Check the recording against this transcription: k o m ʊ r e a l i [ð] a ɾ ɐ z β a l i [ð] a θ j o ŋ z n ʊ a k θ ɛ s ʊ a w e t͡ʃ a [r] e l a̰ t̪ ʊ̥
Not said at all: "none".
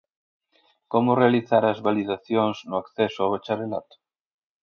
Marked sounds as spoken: θ, ð, ɾ

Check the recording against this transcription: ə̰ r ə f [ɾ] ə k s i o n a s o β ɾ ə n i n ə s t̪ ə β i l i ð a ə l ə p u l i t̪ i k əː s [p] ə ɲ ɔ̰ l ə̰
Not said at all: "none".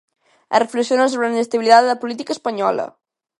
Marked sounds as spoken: l, p

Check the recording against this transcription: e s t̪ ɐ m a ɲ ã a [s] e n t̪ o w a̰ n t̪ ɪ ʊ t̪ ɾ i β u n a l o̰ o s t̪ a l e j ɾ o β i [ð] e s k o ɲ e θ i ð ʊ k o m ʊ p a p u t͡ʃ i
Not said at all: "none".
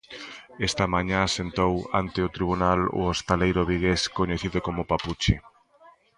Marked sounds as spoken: s, ɣ

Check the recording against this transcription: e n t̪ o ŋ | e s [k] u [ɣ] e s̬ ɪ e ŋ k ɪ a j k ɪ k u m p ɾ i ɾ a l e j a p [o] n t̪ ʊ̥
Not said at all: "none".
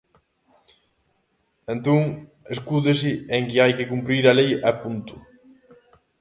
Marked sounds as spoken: k, ð, u

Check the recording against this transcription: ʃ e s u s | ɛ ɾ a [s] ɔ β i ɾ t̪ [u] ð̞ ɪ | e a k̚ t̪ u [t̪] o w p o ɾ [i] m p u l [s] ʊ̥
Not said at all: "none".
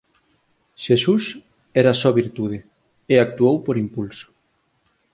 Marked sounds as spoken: s, u, none, i, s

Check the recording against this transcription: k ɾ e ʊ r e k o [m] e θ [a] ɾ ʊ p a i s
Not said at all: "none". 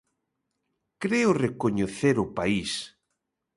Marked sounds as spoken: ɲ, e

